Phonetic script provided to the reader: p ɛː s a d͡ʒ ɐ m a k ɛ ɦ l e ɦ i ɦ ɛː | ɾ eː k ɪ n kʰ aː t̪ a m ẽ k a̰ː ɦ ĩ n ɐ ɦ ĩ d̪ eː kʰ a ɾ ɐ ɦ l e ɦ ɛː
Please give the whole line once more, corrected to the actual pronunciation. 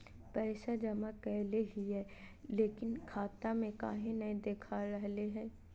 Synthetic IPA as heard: p ɛː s a d͡ʒ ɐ m a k ɛ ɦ l e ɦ i ɦ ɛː | l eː k ɪ n kʰ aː t̪ a m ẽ k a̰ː ɦ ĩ n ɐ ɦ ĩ d̪ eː kʰ a ɾ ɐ ɦ l e ɦ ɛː